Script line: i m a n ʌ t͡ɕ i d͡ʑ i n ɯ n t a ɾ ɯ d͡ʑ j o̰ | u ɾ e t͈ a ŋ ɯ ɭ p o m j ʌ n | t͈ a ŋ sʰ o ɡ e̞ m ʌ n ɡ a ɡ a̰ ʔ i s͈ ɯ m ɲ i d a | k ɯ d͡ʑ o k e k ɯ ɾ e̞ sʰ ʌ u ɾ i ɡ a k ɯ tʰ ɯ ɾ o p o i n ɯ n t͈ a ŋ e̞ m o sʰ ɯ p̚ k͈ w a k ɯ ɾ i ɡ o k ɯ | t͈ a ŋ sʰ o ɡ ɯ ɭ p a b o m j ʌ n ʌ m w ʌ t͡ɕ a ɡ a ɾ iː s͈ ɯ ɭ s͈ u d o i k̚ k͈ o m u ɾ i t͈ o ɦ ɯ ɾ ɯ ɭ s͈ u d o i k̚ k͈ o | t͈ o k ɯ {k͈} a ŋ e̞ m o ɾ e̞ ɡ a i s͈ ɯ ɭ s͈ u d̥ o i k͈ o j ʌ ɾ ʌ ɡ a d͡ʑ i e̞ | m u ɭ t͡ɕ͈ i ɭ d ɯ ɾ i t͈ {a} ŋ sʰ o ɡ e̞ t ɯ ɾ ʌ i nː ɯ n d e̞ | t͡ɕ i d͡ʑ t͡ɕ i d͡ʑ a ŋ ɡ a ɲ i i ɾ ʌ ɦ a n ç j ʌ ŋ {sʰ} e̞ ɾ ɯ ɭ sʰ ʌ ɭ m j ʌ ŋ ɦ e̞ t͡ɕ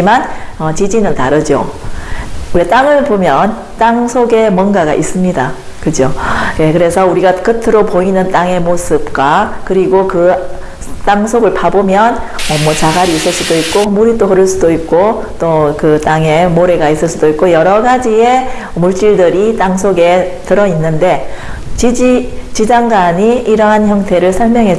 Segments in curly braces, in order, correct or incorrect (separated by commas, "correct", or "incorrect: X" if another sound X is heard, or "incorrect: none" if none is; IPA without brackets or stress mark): incorrect: t͈, correct, incorrect: tʰ